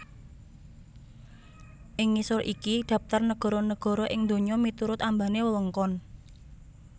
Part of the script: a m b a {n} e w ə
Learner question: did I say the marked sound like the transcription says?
yes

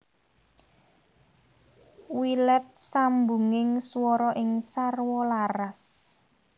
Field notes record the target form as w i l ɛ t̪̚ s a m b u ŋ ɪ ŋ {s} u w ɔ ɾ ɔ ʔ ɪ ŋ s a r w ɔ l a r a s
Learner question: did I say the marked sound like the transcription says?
yes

